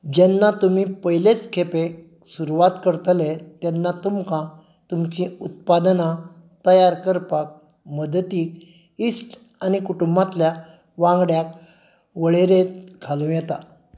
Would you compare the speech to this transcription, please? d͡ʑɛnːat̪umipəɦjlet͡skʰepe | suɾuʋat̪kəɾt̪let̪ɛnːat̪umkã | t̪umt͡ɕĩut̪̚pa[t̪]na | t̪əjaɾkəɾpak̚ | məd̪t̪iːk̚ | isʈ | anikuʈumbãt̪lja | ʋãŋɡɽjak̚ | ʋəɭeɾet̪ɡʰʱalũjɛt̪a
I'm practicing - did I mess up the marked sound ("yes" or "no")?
yes